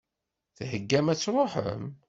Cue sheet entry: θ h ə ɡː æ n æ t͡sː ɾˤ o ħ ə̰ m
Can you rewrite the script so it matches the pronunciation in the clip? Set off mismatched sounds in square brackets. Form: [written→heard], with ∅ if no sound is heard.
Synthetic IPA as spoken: θ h ə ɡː æ [n→m] æ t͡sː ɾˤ o ħ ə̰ m